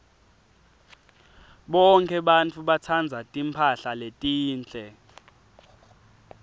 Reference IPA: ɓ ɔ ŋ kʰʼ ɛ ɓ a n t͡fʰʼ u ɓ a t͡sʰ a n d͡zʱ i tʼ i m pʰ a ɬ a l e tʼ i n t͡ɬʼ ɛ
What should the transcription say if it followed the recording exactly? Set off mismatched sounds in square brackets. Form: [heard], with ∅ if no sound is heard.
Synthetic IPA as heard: ɓ ɔ ŋ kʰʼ ɛ ɓ a n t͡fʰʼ u ɓ a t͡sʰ a n d͡zʱ [a] tʼ i m pʰ a ɬ a l e tʼ [iː] n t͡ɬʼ ɛ